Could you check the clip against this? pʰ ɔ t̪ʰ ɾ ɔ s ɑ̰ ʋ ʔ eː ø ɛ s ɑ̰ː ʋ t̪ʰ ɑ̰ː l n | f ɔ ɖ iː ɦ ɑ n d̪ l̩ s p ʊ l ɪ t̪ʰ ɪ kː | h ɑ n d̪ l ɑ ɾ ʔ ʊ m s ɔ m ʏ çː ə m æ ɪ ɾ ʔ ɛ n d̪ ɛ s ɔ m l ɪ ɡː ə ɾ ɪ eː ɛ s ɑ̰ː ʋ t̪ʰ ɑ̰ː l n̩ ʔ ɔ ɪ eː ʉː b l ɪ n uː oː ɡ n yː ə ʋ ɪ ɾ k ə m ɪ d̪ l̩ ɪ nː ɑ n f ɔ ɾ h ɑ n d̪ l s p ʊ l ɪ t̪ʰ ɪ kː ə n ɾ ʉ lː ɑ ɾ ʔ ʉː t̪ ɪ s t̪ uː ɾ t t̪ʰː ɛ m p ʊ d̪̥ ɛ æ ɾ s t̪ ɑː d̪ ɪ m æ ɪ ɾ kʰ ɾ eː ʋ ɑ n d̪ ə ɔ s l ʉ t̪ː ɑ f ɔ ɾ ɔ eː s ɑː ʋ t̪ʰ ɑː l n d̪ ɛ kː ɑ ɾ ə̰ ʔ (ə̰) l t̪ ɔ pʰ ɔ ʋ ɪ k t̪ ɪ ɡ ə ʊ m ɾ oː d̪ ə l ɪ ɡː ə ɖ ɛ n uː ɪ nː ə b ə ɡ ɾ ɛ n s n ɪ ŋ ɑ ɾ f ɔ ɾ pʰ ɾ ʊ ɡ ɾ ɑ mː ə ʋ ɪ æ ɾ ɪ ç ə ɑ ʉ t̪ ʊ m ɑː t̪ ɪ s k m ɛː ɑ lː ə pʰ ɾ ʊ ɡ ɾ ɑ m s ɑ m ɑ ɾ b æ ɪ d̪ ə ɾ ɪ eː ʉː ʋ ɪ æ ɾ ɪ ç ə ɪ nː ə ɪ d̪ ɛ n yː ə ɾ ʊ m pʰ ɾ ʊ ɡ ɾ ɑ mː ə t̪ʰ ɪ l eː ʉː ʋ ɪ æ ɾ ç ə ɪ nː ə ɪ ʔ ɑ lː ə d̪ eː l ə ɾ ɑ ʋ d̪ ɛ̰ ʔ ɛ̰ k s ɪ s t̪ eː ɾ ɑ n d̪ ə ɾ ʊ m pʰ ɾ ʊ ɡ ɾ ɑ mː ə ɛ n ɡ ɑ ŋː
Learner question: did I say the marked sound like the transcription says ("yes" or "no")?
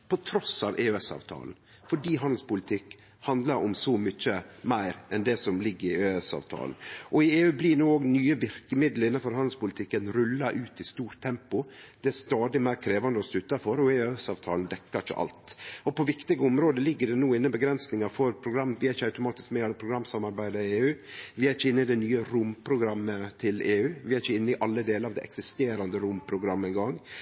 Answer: no